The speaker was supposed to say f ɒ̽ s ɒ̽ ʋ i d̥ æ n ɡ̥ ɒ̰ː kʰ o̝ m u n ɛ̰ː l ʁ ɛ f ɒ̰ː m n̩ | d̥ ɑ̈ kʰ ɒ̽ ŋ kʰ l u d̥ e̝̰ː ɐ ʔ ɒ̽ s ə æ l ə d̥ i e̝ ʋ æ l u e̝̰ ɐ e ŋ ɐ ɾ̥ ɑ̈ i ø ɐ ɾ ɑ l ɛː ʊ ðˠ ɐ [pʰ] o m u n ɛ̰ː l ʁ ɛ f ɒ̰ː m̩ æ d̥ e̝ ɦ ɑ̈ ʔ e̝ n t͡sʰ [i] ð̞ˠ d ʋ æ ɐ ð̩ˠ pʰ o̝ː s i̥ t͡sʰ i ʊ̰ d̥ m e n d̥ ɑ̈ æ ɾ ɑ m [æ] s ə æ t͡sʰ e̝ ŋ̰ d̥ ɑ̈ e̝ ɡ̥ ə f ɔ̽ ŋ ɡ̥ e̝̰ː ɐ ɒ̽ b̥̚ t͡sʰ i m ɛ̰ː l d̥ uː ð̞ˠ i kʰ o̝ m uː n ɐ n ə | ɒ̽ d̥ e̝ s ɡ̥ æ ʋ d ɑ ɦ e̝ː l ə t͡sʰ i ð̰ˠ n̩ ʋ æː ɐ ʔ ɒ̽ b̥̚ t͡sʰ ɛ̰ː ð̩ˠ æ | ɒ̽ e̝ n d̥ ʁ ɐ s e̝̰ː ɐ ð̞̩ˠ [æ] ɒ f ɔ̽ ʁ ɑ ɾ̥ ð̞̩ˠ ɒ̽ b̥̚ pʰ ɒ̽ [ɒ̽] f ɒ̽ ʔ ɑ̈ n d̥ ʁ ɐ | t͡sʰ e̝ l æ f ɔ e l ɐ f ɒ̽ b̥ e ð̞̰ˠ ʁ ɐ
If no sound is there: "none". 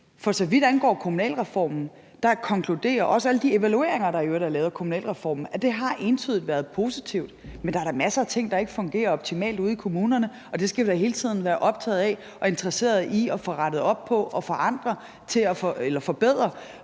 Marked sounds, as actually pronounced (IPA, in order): kʰ, y, æ, i, ɒ̽

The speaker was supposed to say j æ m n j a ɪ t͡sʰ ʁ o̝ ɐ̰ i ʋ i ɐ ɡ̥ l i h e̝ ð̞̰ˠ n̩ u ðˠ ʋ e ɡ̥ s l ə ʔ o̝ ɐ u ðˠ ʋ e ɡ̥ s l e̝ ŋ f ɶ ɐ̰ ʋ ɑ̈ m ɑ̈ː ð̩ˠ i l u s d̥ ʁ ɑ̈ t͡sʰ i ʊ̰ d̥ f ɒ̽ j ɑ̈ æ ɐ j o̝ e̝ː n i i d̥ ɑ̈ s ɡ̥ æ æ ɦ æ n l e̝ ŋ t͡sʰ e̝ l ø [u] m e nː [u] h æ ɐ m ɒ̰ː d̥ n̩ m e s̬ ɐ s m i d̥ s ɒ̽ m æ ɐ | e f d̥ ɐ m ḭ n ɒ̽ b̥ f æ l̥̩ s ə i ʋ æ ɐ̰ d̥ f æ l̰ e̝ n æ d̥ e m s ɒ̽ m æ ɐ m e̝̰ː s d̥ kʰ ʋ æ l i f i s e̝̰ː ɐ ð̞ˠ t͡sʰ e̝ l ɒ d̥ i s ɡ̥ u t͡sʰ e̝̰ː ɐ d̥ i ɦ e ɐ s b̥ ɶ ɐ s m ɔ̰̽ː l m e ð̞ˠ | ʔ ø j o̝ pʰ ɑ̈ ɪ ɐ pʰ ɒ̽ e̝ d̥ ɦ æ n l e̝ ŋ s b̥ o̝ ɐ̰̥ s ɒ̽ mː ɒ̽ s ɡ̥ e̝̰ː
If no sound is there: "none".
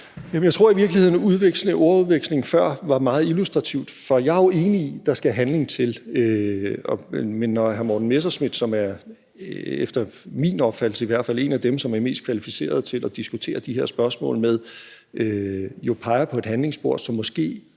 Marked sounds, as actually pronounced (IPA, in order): ɒ, ɒ

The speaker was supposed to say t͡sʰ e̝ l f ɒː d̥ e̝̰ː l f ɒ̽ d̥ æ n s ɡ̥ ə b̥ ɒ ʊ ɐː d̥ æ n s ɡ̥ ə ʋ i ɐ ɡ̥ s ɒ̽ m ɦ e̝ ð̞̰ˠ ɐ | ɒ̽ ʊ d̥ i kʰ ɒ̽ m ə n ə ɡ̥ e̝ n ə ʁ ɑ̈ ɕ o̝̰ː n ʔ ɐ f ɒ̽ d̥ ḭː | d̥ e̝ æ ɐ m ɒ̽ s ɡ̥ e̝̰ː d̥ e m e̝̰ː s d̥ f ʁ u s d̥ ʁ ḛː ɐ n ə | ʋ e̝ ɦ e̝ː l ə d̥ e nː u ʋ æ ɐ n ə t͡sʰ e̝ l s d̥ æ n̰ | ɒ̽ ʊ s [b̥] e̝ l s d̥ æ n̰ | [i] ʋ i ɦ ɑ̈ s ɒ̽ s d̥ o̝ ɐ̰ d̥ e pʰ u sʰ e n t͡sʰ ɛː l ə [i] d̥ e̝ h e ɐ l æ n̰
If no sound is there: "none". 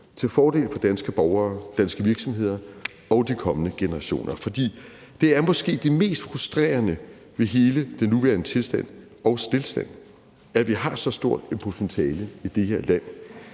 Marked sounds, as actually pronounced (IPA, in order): d̥, æ, i

